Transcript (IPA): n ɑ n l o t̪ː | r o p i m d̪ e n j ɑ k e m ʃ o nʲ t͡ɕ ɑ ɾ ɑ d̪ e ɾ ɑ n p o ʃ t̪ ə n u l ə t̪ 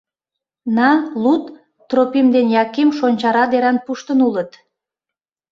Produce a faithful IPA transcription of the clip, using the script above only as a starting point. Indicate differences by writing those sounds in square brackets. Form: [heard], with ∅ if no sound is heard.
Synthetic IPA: n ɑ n l [u] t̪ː | r o p i m d̪ e n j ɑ k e m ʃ o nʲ t͡ɕ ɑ ɾ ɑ d̪ e ɾ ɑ n p [u] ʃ t̪ ə n u l ə t̪